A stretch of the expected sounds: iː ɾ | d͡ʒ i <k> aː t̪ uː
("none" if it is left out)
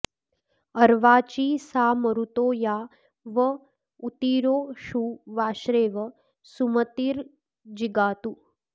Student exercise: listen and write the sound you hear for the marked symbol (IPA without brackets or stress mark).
ɡ